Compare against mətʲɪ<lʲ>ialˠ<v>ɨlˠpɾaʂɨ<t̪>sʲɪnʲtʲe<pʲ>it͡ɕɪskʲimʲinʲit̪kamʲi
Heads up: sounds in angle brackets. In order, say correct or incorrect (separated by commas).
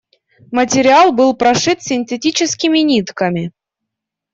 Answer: incorrect, incorrect, correct, incorrect